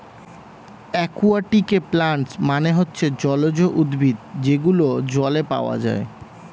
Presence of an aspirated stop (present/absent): absent